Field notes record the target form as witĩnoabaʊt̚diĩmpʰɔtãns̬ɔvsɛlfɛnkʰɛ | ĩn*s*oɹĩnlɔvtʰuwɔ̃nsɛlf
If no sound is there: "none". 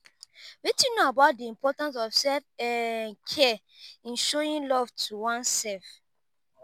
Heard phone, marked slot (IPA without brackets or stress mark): ʃ